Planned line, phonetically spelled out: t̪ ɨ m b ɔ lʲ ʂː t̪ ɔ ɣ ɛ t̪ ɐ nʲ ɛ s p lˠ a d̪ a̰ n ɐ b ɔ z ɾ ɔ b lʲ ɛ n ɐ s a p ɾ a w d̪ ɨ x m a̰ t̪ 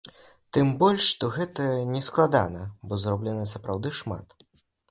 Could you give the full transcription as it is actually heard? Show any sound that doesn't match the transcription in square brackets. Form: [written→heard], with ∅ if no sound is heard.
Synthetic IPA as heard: t̪ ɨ m b ɔ lʲ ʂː t̪ ɔ ɣ ɛ t̪ ɐ nʲ ɛ s [p→k] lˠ a d̪ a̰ n ɐ b ɔ z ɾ ɔ b lʲ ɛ n ɐ s [a→ɐ] p ɾ a w d̪ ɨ [x→ʂ] m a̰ t̪